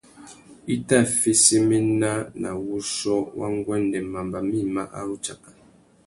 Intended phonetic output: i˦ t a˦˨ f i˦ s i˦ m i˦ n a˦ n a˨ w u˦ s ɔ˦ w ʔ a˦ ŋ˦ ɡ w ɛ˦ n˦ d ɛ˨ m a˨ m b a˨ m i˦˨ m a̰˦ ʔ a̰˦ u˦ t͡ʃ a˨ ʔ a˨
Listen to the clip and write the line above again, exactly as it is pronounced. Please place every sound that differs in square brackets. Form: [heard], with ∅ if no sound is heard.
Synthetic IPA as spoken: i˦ t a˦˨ f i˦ s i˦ m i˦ n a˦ n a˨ w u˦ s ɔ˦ w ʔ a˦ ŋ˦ ɡ w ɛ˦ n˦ d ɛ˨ m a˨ m b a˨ m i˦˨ m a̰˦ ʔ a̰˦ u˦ t͡ʃ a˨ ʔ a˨